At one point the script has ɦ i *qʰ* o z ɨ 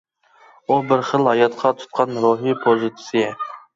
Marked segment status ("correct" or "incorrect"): incorrect